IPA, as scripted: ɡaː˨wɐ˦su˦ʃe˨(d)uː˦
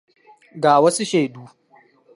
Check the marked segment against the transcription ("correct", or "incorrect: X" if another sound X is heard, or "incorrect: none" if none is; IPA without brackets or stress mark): correct